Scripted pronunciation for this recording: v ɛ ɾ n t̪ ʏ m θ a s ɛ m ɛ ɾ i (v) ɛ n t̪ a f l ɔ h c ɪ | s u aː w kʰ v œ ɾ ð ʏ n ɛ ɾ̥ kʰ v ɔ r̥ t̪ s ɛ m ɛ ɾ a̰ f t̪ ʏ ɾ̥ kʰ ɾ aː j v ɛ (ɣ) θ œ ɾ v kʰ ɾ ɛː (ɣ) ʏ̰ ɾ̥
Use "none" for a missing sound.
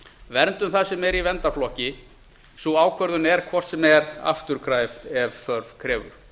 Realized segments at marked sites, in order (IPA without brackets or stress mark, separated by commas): v, v, v